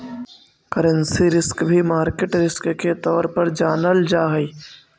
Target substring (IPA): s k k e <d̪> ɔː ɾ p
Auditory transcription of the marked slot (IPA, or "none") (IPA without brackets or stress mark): t̪